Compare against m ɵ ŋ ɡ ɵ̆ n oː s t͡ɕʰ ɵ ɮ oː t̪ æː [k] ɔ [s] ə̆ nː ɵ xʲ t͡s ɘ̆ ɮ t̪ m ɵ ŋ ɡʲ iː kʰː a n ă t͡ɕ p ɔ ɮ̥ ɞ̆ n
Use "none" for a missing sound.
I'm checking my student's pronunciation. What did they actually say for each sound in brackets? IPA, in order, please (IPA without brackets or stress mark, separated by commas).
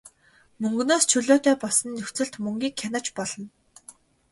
p, s